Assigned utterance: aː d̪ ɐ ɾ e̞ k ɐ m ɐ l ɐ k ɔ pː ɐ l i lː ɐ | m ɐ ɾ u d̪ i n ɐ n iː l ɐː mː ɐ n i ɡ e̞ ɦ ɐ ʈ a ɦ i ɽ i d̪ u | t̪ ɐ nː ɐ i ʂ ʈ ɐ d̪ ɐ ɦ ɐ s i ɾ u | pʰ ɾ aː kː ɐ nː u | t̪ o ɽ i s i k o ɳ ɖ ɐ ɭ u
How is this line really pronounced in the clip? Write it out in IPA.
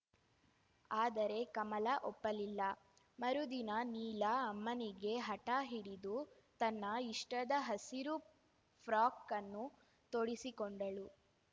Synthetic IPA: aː d̪ ɐ ɾ e̞ k ɐ m ɐ l ɐ ʔ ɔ pː ɐ l i lː ɐ | m ɐ ɾ u d̪ i n ɐ n iː l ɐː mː ɐ n i ɡ e̞ ɦ ɐ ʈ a ɦ i ɽ i d̪ u | t̪ ɐ nː ɐ i ʂ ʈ ɐ d̪ ɐ ɦ ɐ s i ɾ u | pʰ ɾ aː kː ɐ nː u | t̪ o ɽ i s i k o ɳ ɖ ɐ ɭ u